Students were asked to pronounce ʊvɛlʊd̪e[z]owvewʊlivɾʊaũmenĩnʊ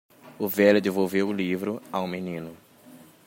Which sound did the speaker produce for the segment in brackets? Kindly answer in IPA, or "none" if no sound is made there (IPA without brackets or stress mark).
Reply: v